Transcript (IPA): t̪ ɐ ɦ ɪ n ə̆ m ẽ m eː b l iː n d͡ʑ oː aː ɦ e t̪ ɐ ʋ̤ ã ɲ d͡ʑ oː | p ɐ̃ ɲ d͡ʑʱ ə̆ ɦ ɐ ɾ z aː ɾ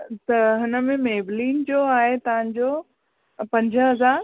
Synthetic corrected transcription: t̪ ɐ ɦ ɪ n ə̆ m ẽ m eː b l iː n d͡ʑ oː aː ɦ e t̪ ɐ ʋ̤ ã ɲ d͡ʑ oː | p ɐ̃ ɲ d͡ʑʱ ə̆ ɦ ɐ z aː ɾ